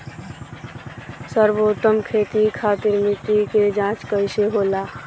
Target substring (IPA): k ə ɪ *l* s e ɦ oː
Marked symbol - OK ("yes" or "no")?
no